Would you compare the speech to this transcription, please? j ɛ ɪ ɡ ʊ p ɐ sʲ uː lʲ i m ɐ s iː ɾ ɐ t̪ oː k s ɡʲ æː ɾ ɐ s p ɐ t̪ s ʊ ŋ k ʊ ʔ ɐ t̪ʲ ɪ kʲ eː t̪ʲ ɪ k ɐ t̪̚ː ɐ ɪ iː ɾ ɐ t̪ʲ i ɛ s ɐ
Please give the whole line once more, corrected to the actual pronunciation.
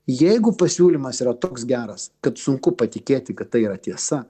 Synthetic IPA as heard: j ɛ ɪ ɡ ʊ p ɐ sʲ uː lʲ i m ɐ s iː ɾ ɐ t̪ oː k s ɡʲ æː ɾ ɐ s k ɐ t̪ s ʊ ŋ k ʊ p ɐ t̪ʲ ɪ kʲ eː t̪ʲ ɪ k ɐ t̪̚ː ɐ ɪ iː ɾ ɐ t̪ʲ i ɛ s ɐ